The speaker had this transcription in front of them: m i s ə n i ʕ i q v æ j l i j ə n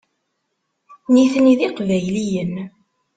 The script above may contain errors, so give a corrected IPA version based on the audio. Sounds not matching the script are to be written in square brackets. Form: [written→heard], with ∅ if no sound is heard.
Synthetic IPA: [m→n] i [s→θ] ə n i [ʕ→ð] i q v æ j l i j ə n